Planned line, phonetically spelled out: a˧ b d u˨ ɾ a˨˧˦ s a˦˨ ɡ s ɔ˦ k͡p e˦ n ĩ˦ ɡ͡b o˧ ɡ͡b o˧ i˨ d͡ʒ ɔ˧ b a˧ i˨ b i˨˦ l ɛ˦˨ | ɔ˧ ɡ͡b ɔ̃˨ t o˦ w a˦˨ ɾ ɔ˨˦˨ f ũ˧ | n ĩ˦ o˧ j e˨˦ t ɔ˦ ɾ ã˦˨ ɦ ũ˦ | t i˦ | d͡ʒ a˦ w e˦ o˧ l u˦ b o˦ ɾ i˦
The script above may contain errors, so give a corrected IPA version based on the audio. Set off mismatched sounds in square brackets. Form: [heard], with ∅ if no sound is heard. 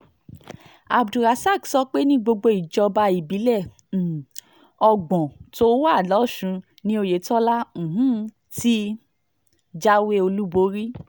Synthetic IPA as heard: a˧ b d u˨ ɾ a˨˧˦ s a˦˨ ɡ s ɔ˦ k͡p e˦ n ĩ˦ ɡ͡b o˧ ɡ͡b o˧ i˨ d͡ʒ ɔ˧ b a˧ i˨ b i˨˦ l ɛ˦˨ | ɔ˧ ɡ͡b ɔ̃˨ t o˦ w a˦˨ [l] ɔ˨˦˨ [ʃ] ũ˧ | n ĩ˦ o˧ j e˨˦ t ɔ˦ [l] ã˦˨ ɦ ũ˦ | t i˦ | d͡ʒ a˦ w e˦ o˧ l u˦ b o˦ ɾ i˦